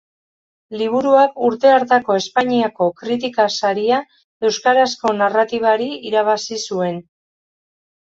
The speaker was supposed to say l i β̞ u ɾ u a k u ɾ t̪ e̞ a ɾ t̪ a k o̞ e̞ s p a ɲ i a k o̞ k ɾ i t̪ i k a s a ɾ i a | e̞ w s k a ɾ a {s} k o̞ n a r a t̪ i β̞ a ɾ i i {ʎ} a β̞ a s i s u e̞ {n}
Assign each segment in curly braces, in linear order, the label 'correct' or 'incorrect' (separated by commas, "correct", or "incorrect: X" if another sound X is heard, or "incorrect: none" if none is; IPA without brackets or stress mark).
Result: correct, incorrect: ɾ, correct